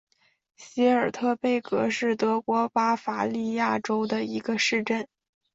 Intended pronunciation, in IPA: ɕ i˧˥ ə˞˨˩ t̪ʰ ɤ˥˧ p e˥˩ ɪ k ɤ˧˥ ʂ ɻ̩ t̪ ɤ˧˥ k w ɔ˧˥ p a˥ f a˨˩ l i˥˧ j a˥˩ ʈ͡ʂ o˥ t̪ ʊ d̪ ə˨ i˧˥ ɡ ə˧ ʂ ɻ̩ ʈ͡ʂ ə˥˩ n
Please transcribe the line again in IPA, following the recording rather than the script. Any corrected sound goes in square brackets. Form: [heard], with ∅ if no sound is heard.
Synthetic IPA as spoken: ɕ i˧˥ ə˞˨˩ t̪ʰ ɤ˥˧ p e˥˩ ɪ k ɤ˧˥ ʂ ɻ̩ t̪ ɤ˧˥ k w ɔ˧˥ p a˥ f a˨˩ l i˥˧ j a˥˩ ʈ͡ʂ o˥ [∅] ʊ d̪ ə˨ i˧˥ ɡ ə˧ ʂ ɻ̩ ʈ͡ʂ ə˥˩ n